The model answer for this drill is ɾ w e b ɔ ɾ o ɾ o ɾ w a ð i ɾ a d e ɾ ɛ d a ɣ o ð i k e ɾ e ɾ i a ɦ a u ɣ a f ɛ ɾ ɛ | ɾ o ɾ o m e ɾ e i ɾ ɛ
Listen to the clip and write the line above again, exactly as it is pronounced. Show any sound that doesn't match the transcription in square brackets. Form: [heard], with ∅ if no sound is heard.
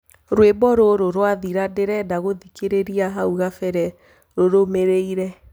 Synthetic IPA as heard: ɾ w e b ɔ ɾ o ɾ o ɾ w a ð i ɾ a d e ɾ ɛ d a ɣ o ð i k e ɾ e ɾ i a ɦ a u ɣ a f ɛ ɾ ɛ | ɾ o ɾ o m e ɾ e i ɾ ɛ